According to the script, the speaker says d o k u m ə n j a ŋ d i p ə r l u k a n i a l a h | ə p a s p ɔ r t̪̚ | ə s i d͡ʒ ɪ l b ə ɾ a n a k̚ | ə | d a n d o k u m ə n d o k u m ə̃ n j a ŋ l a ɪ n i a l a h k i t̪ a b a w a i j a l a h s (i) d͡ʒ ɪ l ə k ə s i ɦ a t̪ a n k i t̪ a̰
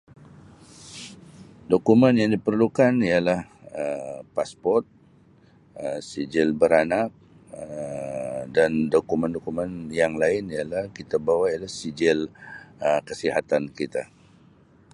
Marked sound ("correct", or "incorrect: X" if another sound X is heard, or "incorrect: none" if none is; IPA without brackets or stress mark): correct